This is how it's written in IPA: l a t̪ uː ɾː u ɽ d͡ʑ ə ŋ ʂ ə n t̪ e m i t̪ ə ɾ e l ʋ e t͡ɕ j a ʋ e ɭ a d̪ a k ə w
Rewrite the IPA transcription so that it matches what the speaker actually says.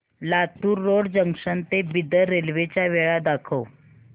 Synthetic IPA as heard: l a t̪ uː ɾː o ɽ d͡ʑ ə ŋ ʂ ə n t̪ e b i d̪ ə ɾ e l ʋ e t͡ɕ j a ʋ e ɭ a d̪ a kʰ ə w